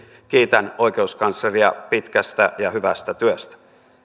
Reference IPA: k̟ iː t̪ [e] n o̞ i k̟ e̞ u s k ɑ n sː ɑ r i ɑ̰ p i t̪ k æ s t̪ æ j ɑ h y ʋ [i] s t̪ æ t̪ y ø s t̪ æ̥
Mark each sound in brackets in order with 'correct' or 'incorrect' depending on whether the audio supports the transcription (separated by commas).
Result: incorrect, incorrect